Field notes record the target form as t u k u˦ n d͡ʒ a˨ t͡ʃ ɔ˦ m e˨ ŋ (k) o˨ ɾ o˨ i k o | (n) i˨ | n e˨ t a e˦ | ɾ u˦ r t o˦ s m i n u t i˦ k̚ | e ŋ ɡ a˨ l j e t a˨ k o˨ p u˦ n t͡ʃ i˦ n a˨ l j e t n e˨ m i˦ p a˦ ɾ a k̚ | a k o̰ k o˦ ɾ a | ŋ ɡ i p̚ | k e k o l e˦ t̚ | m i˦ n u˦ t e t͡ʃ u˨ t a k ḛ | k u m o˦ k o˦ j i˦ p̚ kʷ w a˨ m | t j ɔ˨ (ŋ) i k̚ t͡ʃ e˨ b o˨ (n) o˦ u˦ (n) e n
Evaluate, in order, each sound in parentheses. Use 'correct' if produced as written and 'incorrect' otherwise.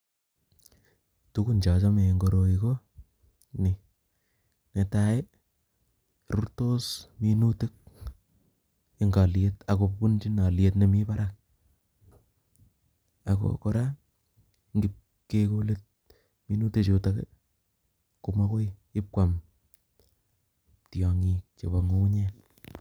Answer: incorrect, correct, correct, incorrect, incorrect

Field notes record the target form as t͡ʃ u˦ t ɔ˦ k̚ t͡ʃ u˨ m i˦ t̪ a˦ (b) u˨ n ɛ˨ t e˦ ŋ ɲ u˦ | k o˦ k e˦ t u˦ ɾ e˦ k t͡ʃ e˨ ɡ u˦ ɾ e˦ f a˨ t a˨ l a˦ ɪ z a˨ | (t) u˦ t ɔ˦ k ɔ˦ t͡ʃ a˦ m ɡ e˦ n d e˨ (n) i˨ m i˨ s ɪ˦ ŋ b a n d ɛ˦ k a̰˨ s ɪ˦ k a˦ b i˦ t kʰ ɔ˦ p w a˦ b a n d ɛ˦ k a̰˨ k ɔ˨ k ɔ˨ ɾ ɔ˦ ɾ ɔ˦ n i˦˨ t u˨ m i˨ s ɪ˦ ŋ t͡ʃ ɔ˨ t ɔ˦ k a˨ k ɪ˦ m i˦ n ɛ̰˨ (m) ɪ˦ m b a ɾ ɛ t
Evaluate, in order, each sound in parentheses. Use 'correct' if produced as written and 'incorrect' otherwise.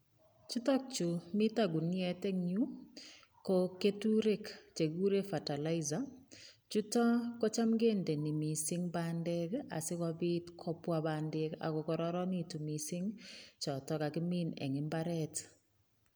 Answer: incorrect, incorrect, correct, incorrect

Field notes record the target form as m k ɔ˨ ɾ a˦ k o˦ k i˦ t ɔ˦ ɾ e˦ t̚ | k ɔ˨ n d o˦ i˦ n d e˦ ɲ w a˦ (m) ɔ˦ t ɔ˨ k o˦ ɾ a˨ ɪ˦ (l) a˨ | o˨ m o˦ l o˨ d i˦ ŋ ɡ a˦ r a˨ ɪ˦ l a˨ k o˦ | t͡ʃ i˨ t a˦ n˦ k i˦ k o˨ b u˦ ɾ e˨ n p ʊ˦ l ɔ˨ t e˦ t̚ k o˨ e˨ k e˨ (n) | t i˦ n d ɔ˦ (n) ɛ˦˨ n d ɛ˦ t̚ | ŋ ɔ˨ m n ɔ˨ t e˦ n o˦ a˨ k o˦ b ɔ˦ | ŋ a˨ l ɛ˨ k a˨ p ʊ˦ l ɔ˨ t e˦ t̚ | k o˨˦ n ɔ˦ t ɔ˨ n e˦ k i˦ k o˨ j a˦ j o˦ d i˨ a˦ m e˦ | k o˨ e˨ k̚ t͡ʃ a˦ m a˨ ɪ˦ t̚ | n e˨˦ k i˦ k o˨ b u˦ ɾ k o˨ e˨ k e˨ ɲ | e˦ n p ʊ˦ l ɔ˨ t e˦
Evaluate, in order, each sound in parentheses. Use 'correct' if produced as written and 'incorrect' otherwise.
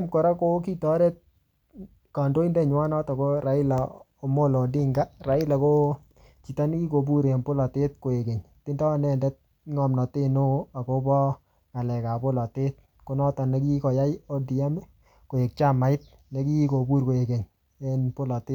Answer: incorrect, correct, incorrect, correct

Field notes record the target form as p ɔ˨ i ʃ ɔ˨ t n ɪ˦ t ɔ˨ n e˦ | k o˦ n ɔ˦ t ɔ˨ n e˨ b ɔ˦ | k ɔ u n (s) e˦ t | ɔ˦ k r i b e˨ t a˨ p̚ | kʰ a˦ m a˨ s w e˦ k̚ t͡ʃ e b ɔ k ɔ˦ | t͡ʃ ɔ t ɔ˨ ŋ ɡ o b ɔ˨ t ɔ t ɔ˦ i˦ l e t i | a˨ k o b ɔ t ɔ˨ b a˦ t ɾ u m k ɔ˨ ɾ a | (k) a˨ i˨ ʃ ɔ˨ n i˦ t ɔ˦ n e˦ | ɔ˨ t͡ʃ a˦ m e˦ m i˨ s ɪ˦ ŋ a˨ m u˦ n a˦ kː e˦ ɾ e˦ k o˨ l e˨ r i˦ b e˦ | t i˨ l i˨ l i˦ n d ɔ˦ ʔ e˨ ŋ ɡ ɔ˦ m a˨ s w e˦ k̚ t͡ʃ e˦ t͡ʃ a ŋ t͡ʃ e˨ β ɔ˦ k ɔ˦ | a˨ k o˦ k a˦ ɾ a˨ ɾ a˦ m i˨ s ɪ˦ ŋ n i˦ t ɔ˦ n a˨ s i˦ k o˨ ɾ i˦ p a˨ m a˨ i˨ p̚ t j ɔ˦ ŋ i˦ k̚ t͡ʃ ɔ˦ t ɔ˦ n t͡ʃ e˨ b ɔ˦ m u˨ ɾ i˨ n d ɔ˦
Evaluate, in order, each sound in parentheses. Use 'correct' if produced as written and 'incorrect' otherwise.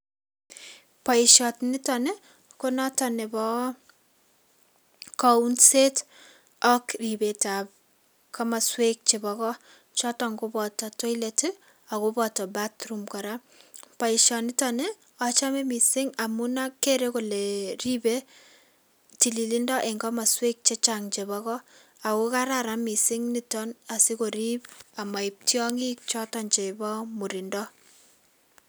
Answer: correct, incorrect

